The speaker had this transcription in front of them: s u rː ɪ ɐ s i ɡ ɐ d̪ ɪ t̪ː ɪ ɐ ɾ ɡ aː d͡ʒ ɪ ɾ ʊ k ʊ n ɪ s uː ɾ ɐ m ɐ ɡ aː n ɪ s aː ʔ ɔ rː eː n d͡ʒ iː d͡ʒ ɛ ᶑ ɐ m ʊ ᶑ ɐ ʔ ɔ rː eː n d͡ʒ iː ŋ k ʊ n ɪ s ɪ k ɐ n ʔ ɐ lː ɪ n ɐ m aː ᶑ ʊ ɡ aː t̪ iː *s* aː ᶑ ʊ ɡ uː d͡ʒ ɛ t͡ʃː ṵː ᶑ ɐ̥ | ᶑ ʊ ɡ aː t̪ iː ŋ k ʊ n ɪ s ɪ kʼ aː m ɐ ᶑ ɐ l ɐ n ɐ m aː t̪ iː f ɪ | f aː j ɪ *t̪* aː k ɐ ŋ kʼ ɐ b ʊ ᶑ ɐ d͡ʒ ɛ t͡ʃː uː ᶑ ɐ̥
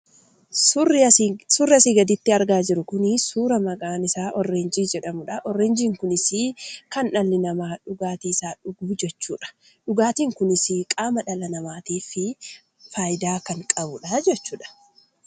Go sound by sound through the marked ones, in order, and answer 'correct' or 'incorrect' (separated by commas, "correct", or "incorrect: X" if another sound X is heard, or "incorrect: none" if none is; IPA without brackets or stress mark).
correct, incorrect: d̪